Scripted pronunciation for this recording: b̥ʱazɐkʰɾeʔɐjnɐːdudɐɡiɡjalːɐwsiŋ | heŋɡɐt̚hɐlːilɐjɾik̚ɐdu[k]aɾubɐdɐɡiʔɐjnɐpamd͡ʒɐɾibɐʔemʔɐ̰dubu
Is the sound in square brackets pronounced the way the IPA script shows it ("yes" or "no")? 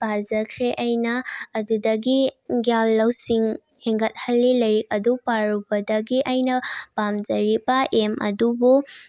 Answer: no